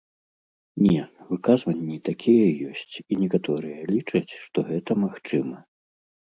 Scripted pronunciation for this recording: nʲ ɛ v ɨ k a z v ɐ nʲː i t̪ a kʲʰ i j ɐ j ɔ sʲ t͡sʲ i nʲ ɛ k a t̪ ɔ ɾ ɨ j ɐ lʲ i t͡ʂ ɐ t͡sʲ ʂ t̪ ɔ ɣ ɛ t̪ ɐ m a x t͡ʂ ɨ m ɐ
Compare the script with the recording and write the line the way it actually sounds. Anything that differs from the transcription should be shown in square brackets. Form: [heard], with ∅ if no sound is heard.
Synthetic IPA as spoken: nʲ ɛ v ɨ k a z v ɐ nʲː i t̪ a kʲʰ i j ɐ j ɔ sʲ t͡sʲ i nʲ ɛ k a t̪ ɔ ɾ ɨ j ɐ lʲ i t͡ʂ ɐ t͡sʲ ʂ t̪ ɔ ɣ ɛ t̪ ɐ m a x t͡ʂ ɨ m ɐ